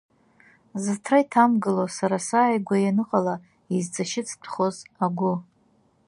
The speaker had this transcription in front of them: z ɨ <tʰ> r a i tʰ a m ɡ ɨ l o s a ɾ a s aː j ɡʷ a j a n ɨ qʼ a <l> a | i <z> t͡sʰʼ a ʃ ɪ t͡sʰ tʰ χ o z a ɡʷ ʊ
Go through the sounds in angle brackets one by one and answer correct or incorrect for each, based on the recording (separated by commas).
correct, correct, correct